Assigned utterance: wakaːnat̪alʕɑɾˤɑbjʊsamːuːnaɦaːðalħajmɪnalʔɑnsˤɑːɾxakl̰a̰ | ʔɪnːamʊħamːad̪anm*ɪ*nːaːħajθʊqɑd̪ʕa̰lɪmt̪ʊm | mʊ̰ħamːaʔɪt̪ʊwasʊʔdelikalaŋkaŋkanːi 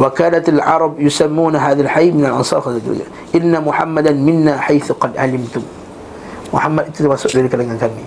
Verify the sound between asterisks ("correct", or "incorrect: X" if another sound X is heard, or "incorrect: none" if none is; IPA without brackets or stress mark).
correct